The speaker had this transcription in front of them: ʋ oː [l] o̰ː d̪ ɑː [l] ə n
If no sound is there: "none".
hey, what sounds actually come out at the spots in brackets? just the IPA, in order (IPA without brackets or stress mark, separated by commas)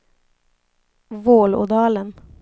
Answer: l, l